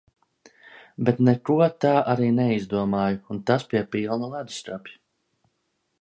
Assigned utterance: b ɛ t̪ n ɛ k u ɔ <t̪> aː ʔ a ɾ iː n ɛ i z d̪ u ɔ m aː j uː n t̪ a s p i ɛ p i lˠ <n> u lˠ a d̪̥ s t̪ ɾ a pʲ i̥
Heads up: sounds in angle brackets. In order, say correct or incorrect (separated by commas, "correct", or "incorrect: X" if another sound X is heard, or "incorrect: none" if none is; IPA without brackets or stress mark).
correct, correct